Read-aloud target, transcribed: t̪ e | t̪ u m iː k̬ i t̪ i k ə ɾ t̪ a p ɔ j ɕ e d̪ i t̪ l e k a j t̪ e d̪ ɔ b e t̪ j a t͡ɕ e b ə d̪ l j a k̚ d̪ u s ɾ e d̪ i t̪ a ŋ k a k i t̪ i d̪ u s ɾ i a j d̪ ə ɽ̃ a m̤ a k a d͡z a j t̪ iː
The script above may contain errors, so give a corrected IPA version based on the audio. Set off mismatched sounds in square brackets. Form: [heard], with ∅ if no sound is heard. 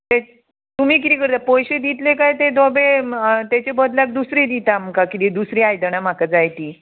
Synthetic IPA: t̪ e | t̪ u m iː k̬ i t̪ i k ə ɾ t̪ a p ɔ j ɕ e d̪ i t̪ l e k a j t̪ e d̪ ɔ b e t̪ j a t͡ɕ e b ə d̪ l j a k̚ d̪ u s ɾ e d̪ i t̪ a [m] k a k i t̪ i d̪ u s ɾ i a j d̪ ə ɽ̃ a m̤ a k a d͡z a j t̪ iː